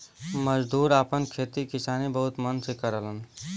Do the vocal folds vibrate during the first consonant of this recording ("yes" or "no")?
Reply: yes